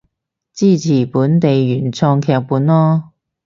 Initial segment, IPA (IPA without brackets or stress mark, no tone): t͡s